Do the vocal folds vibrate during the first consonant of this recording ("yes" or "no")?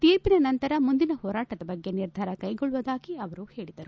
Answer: no